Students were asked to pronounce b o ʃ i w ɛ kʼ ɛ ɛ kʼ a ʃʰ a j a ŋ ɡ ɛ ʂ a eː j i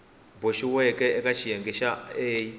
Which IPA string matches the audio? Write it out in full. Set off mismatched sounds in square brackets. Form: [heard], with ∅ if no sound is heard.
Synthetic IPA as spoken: b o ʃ i w ɛ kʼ ɛ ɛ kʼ a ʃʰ [i] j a ŋ ɡ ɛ [ʃ] a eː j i